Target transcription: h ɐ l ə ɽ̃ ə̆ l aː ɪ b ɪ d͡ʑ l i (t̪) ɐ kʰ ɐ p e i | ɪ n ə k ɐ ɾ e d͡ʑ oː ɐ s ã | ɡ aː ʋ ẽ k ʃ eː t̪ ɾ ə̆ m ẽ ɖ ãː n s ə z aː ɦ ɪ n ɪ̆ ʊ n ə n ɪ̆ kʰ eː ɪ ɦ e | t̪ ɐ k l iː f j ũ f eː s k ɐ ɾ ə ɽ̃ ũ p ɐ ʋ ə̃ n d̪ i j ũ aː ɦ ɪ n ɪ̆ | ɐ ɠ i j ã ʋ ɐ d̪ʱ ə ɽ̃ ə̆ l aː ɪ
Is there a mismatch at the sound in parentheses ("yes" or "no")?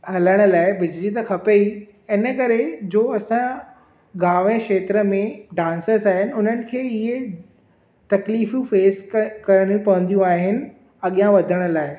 no